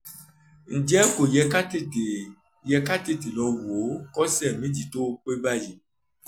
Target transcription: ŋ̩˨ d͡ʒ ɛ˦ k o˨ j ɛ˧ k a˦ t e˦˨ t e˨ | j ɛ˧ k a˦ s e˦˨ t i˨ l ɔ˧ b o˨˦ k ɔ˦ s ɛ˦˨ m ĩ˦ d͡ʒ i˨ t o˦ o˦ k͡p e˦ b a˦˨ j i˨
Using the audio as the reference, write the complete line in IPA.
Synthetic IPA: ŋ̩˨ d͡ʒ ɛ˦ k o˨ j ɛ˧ k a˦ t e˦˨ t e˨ | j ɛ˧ k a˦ t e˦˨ t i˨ l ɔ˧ w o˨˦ k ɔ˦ s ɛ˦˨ m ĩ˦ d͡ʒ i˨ t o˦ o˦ k͡p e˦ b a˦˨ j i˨